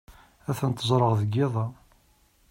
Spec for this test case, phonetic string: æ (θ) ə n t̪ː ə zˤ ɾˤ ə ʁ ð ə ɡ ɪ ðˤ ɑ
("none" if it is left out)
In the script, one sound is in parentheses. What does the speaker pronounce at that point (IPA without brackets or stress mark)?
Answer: θ